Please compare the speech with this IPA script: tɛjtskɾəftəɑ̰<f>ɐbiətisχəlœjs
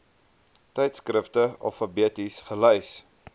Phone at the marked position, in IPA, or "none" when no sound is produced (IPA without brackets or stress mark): f